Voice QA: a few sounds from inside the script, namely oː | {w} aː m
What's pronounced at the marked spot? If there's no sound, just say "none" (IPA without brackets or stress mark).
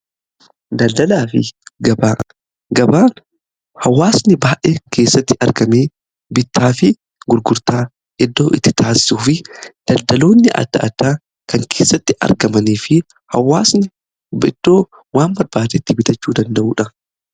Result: w